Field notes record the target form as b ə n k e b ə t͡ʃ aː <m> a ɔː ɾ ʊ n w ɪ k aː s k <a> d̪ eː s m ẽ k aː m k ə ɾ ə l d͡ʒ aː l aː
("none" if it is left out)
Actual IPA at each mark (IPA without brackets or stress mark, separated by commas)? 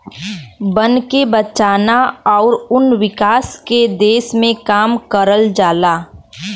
n, e